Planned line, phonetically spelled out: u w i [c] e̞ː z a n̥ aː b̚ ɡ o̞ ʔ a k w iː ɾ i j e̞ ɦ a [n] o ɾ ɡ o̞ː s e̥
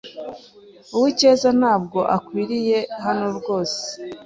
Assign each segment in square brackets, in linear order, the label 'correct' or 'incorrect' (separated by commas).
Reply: correct, correct